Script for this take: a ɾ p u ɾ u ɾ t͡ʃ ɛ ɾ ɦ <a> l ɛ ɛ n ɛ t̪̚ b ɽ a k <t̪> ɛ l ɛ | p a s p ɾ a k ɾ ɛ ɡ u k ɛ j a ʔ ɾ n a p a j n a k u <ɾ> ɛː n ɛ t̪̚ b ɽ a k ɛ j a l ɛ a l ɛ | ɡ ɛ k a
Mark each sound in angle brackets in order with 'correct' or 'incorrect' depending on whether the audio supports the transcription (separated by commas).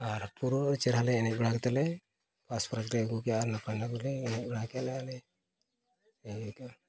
correct, correct, incorrect